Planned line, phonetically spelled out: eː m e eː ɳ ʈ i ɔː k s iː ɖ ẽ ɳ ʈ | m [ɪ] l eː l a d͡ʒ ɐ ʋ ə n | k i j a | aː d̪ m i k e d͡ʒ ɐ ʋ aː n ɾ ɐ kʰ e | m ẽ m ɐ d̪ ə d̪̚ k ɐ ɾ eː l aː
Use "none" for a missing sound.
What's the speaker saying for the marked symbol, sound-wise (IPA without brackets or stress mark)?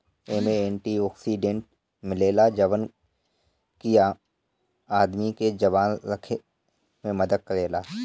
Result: ɪ